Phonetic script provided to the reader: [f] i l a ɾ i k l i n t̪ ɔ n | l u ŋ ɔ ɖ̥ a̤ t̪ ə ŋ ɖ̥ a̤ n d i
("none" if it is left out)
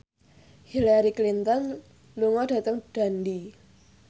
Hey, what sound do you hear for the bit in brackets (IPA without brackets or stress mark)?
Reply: h